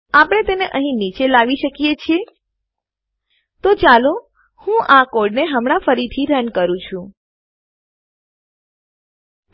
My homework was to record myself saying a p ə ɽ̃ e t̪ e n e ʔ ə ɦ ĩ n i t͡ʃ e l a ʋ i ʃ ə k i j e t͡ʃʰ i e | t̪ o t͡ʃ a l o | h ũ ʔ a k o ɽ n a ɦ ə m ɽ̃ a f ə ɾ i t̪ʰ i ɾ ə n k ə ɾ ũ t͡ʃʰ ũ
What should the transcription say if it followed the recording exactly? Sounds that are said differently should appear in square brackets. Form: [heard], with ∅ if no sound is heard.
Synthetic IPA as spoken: a p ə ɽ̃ e t̪ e n e ʔ ə ɦ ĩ n i t͡ʃ e l a ʋ i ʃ ə k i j e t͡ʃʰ i e | t̪ o t͡ʃ a l o | h ũ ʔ a k o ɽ n [e] ɦ ə m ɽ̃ a f ə ɾ i t̪ʰ i ɾ ə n k ə ɾ ũ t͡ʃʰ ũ